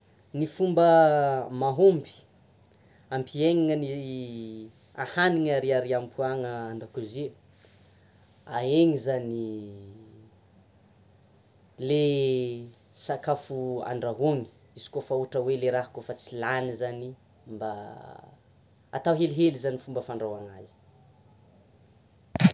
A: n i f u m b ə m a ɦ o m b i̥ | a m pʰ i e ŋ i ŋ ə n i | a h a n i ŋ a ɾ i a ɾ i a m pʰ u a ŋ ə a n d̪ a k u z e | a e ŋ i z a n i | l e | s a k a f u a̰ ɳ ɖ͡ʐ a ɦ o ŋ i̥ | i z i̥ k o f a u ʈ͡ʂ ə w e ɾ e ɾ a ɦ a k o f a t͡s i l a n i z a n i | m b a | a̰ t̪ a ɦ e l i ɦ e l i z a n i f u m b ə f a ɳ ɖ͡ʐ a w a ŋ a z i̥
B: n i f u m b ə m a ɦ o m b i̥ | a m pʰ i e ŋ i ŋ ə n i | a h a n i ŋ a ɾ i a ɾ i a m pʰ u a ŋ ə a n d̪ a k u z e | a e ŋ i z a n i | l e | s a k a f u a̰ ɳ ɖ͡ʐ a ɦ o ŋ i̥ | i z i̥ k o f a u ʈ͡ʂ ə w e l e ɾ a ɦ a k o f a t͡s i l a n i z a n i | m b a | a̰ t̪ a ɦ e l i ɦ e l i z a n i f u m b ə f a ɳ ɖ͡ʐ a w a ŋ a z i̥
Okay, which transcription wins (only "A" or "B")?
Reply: B